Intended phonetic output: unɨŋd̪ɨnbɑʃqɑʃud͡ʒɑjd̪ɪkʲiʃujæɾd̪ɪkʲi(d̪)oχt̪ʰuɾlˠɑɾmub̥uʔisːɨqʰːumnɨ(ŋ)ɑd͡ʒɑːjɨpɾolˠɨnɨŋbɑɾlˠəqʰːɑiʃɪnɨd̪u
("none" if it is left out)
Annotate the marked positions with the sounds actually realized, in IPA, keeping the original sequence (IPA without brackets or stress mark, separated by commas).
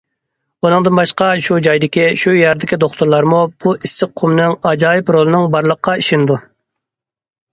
d̪, ŋ